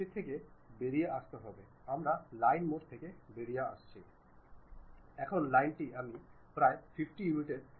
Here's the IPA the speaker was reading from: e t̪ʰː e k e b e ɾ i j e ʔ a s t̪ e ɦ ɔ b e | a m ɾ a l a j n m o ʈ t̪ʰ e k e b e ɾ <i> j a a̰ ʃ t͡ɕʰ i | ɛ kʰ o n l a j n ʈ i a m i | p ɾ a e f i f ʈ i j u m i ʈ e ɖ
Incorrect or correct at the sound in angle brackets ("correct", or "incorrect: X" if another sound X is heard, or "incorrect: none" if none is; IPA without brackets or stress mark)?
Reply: correct